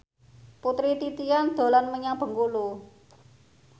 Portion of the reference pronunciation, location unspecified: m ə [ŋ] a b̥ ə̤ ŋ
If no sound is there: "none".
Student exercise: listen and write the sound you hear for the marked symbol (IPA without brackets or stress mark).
ɲ